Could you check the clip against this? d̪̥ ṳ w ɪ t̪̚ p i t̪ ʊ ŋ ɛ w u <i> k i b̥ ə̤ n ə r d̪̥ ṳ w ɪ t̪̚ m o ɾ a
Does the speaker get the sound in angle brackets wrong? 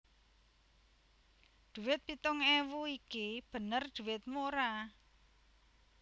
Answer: no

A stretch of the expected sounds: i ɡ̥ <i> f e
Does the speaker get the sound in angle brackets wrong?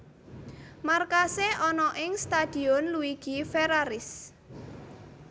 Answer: no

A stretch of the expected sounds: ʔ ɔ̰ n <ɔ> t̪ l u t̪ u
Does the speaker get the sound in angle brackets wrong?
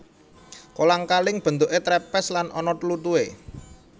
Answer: no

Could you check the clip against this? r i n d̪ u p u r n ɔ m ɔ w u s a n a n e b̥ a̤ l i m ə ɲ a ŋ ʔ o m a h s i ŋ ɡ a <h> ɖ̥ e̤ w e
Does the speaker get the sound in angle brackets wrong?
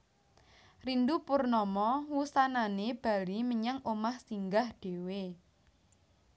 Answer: no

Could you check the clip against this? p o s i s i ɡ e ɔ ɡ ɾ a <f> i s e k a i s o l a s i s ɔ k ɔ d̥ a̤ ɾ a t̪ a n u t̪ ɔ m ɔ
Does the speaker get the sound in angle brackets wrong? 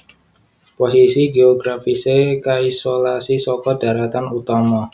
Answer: no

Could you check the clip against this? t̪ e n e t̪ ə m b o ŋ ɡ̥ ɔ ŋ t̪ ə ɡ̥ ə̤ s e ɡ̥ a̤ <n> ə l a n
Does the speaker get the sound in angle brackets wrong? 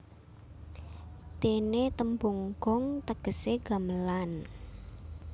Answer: yes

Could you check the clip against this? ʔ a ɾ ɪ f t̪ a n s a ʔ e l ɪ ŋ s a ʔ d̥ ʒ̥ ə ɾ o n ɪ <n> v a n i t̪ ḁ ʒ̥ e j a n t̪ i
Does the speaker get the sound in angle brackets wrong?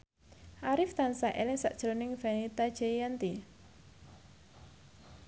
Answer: yes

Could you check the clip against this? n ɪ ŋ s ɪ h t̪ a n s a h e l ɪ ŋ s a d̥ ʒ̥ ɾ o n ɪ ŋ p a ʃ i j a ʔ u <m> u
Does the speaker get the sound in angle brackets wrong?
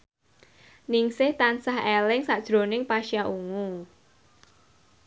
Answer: yes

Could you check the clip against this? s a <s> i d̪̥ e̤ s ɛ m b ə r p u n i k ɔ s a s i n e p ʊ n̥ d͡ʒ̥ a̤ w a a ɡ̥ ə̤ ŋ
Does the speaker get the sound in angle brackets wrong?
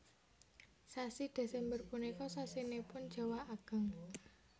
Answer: no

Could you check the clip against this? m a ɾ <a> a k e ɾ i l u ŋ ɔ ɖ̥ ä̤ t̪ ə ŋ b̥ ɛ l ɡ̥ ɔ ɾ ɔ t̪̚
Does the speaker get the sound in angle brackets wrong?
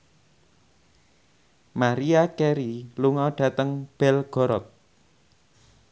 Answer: yes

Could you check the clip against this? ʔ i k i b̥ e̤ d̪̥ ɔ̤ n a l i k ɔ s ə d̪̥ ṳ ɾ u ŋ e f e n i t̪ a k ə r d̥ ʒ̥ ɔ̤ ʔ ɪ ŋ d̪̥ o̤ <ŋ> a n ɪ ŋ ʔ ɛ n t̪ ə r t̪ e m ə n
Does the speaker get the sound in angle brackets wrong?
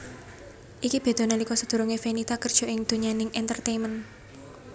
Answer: yes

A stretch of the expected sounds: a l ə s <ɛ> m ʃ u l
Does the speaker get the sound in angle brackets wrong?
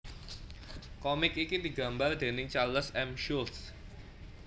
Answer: no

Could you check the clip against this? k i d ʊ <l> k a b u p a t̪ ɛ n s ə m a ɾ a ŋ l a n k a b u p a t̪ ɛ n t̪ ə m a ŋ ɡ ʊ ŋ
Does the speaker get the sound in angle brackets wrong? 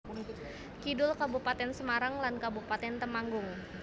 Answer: no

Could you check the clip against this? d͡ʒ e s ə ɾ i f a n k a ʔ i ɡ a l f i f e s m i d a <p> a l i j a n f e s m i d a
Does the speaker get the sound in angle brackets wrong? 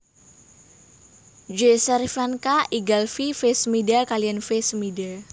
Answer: yes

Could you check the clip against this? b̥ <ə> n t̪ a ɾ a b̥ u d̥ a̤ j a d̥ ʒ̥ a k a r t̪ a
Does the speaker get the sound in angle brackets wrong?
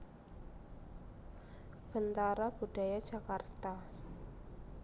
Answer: no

